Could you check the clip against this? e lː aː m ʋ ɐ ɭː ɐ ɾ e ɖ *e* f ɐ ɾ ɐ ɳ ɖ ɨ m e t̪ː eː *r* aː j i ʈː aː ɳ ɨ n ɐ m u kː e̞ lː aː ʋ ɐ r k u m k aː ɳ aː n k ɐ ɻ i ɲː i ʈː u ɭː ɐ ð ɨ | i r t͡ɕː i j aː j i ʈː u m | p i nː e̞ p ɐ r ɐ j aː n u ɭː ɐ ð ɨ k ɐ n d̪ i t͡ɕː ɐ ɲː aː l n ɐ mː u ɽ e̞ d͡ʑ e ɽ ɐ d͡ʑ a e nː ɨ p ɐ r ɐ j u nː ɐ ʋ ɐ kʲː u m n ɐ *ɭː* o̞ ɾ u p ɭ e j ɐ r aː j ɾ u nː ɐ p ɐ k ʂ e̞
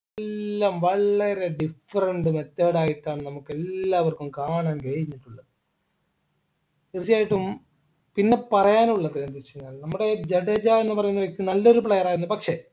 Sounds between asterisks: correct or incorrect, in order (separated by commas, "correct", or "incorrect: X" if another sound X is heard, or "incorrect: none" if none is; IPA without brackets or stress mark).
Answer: incorrect: i, incorrect: ɽ, incorrect: lː